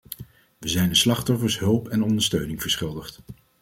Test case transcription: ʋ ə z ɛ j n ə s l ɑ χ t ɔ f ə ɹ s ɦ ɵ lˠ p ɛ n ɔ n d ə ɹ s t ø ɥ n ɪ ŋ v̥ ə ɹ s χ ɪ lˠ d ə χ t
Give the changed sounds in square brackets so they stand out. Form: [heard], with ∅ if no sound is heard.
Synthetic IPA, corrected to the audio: ʋ ə z ɛ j n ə s l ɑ χ t ɔ f ə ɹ s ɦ ɵ lˠ p ɛ n ɔ n d ə ɹ s t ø ɥ n ɪ ŋ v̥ ə ɹ s χ ɪ lˠ d ə χ t

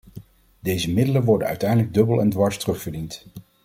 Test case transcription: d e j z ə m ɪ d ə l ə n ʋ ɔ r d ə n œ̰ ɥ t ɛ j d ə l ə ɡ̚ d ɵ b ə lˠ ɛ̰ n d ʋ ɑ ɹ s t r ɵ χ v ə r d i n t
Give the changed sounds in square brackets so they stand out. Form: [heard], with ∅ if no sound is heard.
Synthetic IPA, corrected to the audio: d e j z ə m ɪ d ə l ə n ʋ ɔ [ɹ] d ə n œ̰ ɥ t ɛ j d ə l ə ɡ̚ d ɵ b ə lˠ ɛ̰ n d ʋ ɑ ɹ s t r ɵ χ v ə [ɹ] d i n t

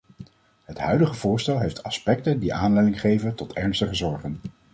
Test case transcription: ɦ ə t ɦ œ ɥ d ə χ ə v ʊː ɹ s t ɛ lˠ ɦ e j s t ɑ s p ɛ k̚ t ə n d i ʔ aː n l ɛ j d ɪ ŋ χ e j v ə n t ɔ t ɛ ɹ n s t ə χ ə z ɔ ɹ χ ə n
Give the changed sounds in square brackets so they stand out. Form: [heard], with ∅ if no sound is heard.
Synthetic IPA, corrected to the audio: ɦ ə t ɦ œ ɥ d ə χ ə v ʊː ɹ s t ɛ lˠ ɦ e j [f] t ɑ s p ɛ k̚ t ə n d i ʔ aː n l ɛ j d ɪ ŋ χ e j v ə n t ɔ t ɛ ɹ n s t ə χ ə z ɔ ɹ χ ə n

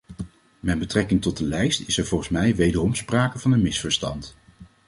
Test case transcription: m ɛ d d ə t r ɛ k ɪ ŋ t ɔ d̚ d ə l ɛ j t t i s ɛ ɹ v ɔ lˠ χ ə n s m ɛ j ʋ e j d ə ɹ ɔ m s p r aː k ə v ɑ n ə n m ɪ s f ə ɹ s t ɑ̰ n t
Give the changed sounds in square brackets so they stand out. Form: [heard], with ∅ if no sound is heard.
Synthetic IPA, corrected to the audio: m ɛ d [b] ə t r ɛ k ɪ ŋ t ɔ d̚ d ə l ɛ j [s] t [ɪ] s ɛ ɹ v ɔ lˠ χ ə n s m ɛ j ʋ e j d ə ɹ ɔ m s p r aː k ə v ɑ n ə n m ɪ s f ə ɹ s t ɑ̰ n t

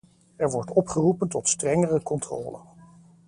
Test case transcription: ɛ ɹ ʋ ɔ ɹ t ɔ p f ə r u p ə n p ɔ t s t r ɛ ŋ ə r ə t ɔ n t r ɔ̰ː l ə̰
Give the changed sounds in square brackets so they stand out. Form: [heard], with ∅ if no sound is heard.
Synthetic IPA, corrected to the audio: ɛ ɹ ʋ ɔ ɹ t ɔ p [χ] ə r u p ə n [t] ɔ t s t r ɛ ŋ ə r ə [k] ɔ n t r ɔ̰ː l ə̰

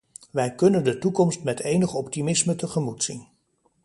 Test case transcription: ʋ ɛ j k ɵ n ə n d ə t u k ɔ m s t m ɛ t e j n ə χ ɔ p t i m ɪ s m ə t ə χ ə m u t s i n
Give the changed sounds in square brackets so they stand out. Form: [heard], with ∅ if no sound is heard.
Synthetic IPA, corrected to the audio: ʋ ɛ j k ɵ n ə n d ə t u k ɔ m s t m ɛ t e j n ə χ ɔ p t i m ɪ s m ə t ə χ ə m u t s i n

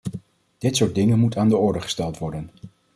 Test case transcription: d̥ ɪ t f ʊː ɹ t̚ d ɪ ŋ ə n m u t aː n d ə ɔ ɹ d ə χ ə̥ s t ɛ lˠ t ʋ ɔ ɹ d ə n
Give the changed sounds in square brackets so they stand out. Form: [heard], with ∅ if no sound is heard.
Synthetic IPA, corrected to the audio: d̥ ɪ t [s] ʊː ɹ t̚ d ɪ ŋ ə n m u t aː n d ə ɔ ɹ d ə χ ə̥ s t ɛ lˠ t ʋ ɔ ɹ d ə n

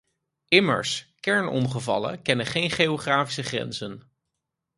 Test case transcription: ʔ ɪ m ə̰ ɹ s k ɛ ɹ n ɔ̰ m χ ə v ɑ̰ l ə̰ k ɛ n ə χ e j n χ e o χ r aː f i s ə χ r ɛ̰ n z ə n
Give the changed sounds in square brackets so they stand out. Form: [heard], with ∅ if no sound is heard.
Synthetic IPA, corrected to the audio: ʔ ɪ m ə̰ ɹ s k ɛ ɹ n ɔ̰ m χ ə v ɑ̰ l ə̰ k ɛ n ə χ e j n χ e o χ r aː f i s ə χ r ɛ̰ n z ə n

